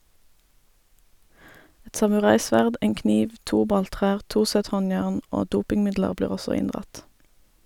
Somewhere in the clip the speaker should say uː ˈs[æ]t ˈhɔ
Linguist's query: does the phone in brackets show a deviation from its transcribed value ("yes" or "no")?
yes